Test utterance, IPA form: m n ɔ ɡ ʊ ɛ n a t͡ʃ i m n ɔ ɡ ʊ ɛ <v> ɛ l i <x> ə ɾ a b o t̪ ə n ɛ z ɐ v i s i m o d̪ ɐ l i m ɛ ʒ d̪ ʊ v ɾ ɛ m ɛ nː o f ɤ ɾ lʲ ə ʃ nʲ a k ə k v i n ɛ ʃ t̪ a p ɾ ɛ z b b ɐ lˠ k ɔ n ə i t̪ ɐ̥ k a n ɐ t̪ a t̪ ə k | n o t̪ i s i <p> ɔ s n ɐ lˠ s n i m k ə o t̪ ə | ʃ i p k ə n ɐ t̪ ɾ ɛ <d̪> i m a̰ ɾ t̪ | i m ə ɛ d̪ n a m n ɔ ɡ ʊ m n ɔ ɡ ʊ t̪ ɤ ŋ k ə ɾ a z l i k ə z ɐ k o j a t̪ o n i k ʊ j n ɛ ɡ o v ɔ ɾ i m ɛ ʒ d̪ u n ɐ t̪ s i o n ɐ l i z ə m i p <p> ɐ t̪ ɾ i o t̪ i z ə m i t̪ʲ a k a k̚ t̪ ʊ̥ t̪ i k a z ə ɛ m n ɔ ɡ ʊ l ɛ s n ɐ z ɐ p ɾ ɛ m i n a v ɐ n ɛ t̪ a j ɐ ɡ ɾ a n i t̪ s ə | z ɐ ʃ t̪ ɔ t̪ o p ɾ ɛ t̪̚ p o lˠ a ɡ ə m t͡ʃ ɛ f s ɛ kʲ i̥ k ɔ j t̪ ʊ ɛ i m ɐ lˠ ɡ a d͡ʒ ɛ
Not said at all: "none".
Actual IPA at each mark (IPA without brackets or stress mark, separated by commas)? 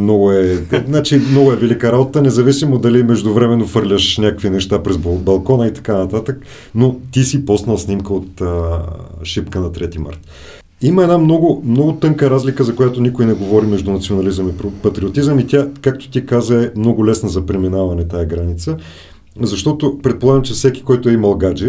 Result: v, k, p, t̪, p